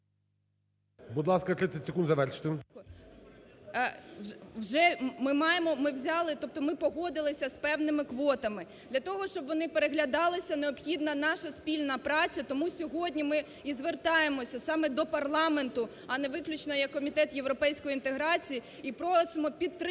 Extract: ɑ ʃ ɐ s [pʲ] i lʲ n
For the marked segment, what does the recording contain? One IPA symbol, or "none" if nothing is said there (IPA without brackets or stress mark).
pʲ